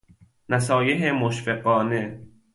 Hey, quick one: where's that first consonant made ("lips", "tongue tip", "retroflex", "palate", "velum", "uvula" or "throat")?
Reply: tongue tip